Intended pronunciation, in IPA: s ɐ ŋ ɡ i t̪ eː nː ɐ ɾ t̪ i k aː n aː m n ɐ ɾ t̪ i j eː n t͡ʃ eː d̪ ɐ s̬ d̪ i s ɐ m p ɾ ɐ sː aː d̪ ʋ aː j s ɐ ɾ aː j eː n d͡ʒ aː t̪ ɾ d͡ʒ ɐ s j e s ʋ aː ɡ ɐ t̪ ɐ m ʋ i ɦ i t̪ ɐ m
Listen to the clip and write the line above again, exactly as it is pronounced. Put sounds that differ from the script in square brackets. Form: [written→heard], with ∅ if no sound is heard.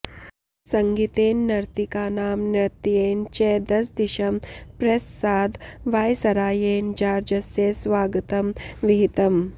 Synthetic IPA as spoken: s ɐ ŋ ɡ i t̪ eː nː ɐ ɾ t̪ i k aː n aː m n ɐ ɾ t̪ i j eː n t͡ʃ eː d̪ ɐ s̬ d̪ i [s→ʃ] ɐ m p ɾ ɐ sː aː d̪ ʋ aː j s ɐ ɾ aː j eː n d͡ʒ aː [t̪→∅] ɾ d͡ʒ ɐ s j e s ʋ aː ɡ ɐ t̪ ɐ m ʋ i ɦ i t̪ ɐ m